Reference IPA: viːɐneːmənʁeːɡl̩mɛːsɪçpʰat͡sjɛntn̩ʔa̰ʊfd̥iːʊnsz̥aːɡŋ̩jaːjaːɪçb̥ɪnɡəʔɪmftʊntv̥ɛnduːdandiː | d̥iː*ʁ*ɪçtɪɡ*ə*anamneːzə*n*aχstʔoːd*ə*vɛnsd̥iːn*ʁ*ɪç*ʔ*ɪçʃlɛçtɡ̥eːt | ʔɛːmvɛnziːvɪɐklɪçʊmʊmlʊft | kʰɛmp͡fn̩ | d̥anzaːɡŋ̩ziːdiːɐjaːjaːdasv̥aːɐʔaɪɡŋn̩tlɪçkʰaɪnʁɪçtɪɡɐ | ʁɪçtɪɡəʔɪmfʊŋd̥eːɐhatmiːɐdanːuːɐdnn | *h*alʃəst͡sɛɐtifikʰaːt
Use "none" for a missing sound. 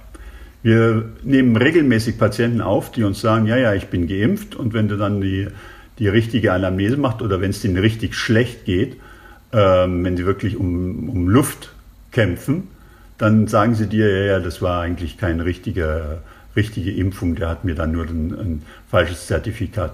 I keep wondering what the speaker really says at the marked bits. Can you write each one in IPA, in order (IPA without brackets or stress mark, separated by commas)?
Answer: ʁ, ə, m, ɐ, ʁ, t, f